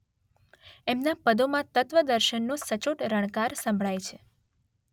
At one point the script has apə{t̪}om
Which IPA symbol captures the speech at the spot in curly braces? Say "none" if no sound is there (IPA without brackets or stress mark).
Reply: d̪